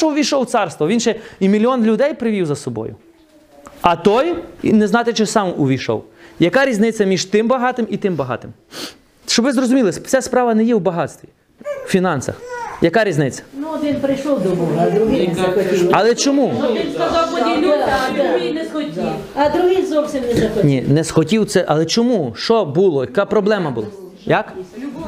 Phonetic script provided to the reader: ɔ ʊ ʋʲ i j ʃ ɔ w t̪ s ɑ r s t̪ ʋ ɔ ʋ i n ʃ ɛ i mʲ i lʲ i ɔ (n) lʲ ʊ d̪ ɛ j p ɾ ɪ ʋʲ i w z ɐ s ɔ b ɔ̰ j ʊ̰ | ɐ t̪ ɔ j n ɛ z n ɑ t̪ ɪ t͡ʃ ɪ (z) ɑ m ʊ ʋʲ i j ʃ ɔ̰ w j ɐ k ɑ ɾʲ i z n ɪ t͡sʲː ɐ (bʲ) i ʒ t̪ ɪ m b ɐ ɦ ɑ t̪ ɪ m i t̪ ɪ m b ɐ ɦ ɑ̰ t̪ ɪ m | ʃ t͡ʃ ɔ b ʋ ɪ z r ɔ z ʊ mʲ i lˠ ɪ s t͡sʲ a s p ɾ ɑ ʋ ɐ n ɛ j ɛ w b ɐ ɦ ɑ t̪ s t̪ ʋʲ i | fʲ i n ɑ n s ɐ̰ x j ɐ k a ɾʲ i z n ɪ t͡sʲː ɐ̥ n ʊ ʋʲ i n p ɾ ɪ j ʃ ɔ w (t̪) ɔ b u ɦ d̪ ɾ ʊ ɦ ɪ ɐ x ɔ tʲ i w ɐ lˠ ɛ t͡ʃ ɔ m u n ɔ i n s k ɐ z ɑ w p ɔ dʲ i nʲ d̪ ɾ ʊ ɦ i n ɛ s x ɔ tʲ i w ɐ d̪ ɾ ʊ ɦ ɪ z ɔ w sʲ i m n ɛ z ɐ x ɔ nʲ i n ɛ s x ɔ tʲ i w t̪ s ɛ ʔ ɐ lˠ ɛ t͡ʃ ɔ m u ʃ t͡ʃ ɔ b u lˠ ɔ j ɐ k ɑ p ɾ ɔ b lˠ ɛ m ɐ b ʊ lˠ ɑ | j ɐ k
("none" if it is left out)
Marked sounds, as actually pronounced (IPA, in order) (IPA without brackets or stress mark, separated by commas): n, s, mʲ, d̪